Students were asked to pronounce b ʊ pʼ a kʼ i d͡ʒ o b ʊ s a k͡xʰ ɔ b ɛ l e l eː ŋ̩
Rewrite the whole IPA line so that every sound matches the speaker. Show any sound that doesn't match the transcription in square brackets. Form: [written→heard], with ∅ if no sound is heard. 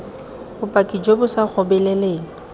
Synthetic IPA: b ʊ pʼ a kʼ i d͡ʒ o b ʊ s a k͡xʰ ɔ b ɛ l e l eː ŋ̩